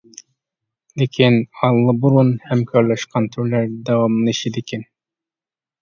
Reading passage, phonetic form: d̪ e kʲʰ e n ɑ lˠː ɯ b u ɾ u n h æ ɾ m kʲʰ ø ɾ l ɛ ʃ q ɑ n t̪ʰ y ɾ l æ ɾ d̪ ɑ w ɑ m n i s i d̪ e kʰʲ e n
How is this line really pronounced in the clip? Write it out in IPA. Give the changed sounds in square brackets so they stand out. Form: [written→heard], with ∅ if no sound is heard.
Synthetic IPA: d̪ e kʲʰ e n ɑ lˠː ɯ b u ɾ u n h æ [ɾ→∅] m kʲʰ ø ɾ l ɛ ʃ q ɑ n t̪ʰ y ɾ l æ ɾ d̪ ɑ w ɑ m n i [s→ʃ] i d̪ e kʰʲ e n